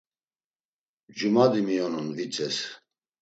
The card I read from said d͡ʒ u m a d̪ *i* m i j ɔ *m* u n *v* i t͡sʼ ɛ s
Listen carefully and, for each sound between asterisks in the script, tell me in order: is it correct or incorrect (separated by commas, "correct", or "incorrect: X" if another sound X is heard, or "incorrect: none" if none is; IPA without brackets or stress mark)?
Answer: correct, incorrect: n, correct